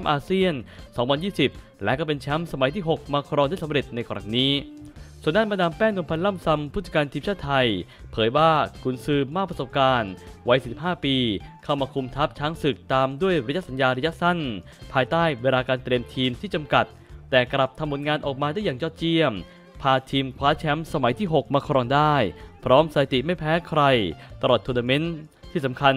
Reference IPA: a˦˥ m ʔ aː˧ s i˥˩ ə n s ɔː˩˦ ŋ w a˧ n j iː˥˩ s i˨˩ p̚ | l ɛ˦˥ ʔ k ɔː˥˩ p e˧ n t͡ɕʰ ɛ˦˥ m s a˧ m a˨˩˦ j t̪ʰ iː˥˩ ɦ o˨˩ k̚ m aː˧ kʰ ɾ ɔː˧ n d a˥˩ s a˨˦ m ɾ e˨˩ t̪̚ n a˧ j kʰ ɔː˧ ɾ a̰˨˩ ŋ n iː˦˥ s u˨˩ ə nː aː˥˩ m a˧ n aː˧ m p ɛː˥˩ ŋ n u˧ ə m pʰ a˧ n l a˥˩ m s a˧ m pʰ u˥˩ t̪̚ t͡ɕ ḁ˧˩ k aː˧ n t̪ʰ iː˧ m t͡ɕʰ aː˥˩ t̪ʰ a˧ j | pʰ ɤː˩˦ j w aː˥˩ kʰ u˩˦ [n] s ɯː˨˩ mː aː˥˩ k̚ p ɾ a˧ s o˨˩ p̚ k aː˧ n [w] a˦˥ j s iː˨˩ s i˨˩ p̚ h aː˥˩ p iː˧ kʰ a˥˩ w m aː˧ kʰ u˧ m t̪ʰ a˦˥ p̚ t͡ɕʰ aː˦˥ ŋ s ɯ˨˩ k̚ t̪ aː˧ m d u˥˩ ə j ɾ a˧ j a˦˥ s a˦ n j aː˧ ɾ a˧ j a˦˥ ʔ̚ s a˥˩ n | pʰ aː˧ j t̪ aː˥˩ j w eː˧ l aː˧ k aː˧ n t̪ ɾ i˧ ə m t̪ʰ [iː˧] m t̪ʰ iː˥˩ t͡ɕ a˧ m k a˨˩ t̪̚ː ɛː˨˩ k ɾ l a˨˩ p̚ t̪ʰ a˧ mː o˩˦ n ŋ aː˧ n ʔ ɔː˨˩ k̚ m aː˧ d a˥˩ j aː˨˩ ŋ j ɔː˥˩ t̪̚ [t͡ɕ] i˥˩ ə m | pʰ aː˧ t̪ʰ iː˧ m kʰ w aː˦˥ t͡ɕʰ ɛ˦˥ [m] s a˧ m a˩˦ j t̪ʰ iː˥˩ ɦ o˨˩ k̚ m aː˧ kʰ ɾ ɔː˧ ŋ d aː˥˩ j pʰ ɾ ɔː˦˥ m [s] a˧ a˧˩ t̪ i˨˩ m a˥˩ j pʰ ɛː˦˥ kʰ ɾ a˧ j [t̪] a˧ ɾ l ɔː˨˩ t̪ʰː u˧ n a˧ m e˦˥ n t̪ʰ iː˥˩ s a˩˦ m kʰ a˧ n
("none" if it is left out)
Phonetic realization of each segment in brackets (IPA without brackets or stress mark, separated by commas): n, w, iː˧, t͡ɕ, m, s, t̪